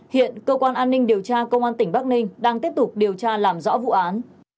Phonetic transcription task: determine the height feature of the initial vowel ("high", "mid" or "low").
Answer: high